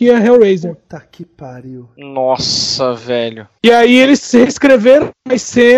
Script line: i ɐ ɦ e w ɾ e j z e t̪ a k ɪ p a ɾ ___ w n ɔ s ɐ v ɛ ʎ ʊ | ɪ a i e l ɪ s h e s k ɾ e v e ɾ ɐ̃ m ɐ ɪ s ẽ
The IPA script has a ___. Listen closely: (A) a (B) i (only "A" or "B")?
B